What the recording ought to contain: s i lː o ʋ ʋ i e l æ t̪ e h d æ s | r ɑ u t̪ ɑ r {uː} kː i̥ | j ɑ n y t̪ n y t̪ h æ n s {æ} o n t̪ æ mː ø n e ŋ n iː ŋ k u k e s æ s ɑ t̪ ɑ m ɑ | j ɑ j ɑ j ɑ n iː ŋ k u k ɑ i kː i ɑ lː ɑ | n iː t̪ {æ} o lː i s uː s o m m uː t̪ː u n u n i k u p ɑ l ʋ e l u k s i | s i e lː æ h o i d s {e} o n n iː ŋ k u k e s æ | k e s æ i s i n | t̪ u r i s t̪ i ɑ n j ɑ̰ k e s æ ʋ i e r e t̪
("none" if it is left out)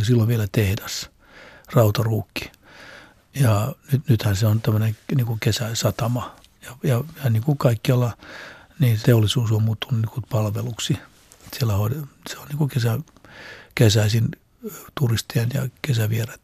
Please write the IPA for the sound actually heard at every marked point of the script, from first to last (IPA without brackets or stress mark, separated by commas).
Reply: uː, e, e, e